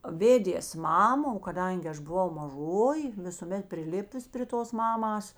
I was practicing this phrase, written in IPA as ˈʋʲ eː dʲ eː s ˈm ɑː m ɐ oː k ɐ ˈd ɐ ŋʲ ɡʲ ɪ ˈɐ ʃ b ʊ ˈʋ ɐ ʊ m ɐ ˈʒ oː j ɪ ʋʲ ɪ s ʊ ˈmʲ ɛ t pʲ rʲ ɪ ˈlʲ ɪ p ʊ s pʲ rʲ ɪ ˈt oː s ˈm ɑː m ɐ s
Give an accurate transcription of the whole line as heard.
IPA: ˈʋʲ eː dʲ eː s ˈm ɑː m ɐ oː k ɐ ˈd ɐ ŋʲ ɡʲ ɪ ˈɐ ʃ b ʊ ˈʋ ɐ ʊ m ɐ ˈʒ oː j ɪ ʋʲ ɪ s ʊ ˈmʲ ɛ t pʲ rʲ ɪ ˈlʲ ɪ p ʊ s pʲ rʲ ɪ ˈt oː s ˈm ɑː m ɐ s